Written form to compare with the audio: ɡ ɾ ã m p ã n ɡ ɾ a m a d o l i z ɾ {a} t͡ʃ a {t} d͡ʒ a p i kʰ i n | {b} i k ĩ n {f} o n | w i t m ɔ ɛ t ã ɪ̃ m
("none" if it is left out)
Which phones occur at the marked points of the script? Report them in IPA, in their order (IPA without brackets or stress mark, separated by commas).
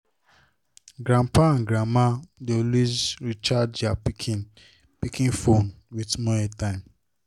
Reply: i, d, p, f